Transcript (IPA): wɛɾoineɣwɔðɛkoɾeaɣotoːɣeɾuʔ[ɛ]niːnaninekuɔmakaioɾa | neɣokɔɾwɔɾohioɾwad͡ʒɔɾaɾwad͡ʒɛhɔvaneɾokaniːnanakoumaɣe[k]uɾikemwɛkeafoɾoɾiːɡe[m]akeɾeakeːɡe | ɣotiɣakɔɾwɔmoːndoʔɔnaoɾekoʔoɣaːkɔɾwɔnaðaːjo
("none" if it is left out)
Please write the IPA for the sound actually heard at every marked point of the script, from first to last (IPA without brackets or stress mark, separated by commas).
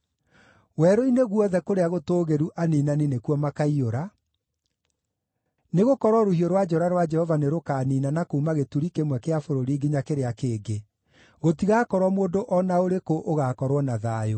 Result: a, t, ɲ